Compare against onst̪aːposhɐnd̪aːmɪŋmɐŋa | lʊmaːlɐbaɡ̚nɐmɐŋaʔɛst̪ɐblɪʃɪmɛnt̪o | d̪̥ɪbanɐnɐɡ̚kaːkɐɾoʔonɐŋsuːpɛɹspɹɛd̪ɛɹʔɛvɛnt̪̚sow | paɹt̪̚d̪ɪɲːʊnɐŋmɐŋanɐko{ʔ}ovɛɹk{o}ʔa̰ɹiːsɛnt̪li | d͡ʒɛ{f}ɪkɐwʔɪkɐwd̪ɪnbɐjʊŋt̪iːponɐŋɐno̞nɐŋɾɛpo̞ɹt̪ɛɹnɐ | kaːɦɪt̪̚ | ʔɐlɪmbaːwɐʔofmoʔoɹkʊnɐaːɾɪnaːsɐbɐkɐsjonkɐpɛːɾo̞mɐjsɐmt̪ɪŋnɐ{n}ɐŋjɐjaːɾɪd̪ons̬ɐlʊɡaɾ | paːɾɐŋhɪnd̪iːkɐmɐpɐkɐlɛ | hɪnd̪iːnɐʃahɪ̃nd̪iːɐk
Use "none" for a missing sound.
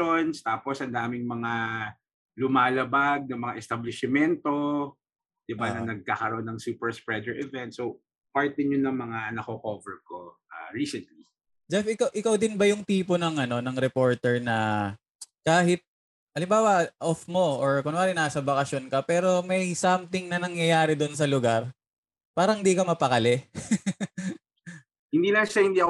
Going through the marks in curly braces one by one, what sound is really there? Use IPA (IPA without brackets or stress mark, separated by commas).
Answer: k, o, f, n